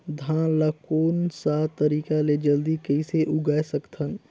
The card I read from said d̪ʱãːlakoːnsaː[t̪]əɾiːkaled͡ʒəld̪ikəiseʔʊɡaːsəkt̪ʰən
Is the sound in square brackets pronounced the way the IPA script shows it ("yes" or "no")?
yes